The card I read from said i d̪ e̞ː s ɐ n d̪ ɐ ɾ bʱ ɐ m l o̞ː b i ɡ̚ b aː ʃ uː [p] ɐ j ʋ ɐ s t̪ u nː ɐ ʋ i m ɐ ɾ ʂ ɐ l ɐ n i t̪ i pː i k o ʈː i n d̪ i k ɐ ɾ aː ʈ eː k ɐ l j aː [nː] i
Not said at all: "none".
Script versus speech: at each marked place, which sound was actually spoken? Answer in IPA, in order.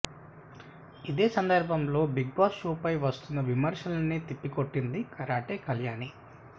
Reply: p, n

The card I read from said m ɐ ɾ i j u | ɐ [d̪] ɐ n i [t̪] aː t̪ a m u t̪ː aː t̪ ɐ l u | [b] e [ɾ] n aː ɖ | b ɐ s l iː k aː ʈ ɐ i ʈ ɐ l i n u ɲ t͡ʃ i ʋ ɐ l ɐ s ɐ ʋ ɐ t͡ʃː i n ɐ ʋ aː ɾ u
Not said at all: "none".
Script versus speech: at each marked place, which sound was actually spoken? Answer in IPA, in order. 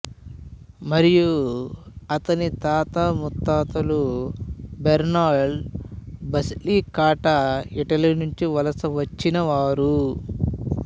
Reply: t̪, t̪, b, ɾ

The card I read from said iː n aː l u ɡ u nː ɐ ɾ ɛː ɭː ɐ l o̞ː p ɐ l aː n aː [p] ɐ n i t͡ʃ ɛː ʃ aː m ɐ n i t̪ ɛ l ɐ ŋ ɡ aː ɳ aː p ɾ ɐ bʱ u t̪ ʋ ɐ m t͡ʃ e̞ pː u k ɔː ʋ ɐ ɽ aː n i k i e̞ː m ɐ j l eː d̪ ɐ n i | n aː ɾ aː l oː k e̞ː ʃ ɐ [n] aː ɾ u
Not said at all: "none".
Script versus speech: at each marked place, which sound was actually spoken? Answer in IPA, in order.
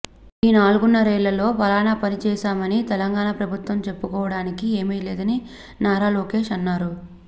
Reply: p, nː

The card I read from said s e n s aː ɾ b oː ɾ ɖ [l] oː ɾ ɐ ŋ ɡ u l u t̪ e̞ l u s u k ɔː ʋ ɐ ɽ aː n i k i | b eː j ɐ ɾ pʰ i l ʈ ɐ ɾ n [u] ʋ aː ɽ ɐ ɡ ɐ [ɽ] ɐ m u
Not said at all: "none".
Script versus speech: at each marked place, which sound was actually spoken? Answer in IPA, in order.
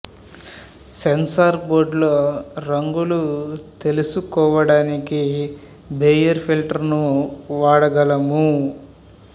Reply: l, u, l

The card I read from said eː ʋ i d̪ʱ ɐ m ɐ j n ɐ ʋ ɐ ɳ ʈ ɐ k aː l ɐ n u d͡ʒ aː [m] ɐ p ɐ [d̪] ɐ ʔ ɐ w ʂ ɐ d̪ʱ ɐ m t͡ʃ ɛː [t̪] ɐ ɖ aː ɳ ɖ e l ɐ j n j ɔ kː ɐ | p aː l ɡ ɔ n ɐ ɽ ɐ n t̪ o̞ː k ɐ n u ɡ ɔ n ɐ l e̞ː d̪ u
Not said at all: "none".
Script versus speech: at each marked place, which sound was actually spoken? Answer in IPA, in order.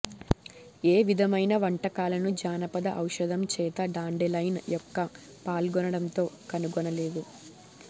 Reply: n, d̪, t̪

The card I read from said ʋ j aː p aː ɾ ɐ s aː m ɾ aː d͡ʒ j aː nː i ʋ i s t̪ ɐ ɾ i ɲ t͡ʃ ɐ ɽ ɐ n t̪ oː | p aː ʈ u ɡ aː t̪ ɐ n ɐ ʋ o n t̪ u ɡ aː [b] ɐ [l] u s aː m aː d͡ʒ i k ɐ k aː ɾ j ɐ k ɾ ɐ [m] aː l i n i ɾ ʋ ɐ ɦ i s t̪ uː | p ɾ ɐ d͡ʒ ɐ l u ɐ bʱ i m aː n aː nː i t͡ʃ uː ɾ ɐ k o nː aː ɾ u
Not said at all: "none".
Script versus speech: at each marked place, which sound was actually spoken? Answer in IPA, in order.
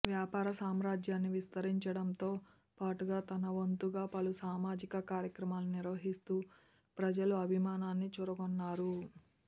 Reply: p, l, m

